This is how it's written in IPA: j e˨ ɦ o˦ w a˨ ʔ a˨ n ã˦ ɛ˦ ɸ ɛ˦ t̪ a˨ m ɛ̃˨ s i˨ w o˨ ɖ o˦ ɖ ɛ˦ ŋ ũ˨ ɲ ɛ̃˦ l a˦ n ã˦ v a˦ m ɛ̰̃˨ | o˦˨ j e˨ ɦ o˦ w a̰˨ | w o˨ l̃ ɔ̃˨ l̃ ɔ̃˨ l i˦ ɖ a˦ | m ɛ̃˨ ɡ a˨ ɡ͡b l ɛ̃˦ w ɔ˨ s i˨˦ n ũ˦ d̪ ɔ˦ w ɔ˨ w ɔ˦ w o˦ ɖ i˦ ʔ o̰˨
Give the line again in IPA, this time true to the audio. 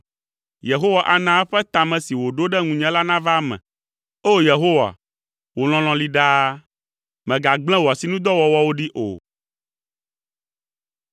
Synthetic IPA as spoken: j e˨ ɦ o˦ w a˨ ʔ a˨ n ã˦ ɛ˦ ɸ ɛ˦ t̪ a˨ m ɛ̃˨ s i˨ w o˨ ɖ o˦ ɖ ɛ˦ ŋ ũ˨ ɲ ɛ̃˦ l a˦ n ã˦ v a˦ m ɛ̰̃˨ | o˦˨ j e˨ ɦ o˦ w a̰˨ | w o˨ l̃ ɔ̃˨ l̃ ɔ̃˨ l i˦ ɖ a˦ | m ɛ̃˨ ɡ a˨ ɡ͡b l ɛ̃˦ w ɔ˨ s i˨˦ n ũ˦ d̪ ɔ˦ w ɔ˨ w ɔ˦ w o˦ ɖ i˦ ʔ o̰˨

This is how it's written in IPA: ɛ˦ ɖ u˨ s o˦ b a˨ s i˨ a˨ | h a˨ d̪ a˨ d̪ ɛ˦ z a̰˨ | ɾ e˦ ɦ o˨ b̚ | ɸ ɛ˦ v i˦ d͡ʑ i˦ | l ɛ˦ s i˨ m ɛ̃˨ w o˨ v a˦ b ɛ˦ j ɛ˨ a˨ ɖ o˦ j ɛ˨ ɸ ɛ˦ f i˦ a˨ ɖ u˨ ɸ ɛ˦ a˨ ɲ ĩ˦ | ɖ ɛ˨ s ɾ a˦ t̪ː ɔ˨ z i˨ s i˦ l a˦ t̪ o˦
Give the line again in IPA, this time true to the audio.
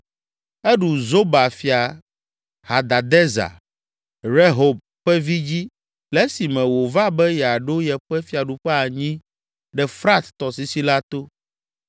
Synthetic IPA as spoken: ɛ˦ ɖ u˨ z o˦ b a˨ f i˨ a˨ | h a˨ d̪ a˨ d̪ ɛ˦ z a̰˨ | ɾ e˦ ɦ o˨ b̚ | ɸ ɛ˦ v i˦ d͡ʑ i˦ | l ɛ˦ s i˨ m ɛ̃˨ w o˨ v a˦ b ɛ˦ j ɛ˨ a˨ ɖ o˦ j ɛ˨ ɸ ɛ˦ f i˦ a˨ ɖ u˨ ɸ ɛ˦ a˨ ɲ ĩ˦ | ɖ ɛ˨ f ɾ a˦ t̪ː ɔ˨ s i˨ s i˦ l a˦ t̪ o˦

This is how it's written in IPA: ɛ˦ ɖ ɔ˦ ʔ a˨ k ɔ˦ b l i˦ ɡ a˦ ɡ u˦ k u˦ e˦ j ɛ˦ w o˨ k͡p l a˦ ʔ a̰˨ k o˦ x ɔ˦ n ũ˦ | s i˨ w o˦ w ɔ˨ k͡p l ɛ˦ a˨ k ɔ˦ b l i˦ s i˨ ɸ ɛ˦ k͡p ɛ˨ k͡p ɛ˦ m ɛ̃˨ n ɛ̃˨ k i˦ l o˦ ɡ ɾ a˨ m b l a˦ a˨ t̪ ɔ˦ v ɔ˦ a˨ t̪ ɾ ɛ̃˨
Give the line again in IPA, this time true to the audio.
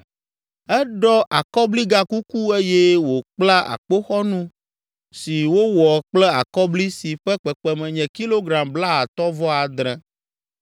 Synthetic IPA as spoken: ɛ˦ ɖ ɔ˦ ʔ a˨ k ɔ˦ b l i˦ ɡ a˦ k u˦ k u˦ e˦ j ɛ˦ w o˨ k͡p l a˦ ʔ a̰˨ k͡p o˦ x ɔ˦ n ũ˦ | s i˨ w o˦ w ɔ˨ k͡p l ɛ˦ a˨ k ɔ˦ b l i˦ s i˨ ɸ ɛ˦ k͡p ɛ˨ k͡p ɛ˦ m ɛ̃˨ ɲ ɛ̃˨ k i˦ l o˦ ɡ ɾ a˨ m b l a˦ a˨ t̪ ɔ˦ v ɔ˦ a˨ d̪ ɾ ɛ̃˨

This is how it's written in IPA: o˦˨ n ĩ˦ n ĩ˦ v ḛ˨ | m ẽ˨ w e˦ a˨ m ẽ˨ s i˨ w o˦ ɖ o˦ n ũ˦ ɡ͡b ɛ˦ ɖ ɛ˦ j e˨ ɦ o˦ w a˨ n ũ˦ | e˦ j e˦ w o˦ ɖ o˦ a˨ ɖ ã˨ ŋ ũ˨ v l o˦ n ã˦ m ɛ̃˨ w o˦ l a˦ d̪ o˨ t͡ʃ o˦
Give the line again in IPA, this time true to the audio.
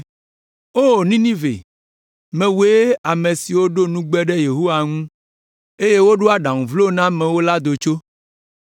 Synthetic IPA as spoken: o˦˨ n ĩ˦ n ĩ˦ v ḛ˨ | m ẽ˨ w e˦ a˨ m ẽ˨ s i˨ w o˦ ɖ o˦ n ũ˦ ɡ͡b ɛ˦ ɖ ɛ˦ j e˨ ɦ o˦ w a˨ ŋ ũ˦ | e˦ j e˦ w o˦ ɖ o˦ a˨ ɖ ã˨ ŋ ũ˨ v l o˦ n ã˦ m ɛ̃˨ w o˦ l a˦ d̪ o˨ t͡ʃ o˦

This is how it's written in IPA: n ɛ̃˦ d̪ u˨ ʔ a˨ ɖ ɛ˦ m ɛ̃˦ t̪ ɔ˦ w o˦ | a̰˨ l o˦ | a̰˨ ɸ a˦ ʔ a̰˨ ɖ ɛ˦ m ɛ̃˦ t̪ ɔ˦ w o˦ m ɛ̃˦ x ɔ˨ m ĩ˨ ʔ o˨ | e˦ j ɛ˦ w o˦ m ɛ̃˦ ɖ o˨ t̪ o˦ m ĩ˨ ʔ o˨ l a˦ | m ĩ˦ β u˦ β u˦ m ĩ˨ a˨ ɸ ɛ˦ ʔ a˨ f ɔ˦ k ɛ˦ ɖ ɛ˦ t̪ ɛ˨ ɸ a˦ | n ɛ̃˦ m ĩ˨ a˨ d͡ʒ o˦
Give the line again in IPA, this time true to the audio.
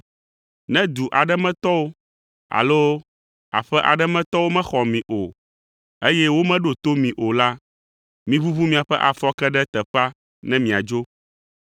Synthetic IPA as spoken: n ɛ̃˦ d̪ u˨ ʔ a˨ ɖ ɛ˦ m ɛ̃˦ t̪ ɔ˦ w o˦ | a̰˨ l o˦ | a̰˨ ɸ ɛ˦ ʔ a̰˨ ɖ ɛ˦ m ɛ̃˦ t̪ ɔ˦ w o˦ m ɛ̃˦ x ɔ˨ m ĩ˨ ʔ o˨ | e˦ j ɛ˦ w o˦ m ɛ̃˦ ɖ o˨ t̪ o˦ m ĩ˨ ʔ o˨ l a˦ | m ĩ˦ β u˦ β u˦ m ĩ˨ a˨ ɸ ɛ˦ ʔ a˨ f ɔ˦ k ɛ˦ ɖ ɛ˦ t̪ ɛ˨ ɸ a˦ | n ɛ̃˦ m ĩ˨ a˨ d͡ʒ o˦

